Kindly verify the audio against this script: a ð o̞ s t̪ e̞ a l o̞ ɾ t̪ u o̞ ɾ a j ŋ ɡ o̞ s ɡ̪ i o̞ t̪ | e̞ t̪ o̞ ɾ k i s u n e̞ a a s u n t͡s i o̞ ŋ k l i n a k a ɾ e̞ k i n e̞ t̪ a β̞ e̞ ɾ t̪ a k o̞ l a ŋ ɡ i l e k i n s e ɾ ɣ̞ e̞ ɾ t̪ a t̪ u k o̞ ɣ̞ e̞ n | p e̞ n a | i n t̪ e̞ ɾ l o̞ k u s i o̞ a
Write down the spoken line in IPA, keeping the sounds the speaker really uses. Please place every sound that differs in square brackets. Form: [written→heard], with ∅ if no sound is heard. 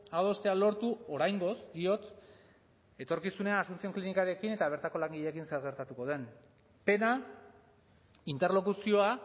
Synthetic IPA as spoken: a ð o̞ s t̪ e̞ a l o̞ ɾ t̪ u o̞ ɾ a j ŋ ɡ o̞ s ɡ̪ i o̞ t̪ | e̞ t̪ o̞ ɾ k i s u n e̞ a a s u n t͡s i o̞ ŋ k l i n [a→i] k a ɾ e̞ k i n e̞ t̪ a β̞ e̞ ɾ t̪ a k o̞ l a ŋ ɡ i [l→ʎ] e k i n s e ɾ ɣ̞ e̞ ɾ t̪ a t̪ u k o̞ [ɣ̞→ð̞] e̞ n | p e̞ n a | i n t̪ e̞ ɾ l o̞ k u s i o̞ a